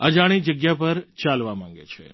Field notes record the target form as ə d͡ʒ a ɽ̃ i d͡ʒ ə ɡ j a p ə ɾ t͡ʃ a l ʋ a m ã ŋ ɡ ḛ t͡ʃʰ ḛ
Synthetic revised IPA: ə d͡ʒ a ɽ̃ i d͡ʒ ə ɡ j a p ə ɾ t͡ʃ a l ʋ a m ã ŋ ɡ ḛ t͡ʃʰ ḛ